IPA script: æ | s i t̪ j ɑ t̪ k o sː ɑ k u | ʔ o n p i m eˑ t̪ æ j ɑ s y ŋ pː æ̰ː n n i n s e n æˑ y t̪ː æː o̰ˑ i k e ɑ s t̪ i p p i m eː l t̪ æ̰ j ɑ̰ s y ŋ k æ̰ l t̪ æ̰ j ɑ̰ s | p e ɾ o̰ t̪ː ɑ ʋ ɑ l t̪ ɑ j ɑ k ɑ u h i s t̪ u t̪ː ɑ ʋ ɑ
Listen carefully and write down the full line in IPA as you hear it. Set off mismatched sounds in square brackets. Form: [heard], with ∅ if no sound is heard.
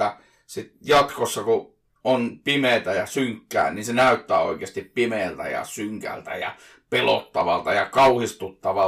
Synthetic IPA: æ | s i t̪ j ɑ t̪ k o sː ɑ k u | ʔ o n p i m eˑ t̪ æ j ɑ s y ŋ [kː] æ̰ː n n i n s e n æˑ y t̪ː æː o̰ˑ i k e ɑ s t̪ i p p i m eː l t̪ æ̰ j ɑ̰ s y ŋ k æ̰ l t̪ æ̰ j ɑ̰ [∅] | p e [l] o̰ t̪ː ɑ ʋ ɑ l t̪ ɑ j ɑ k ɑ u h i s t̪ u t̪ː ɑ ʋ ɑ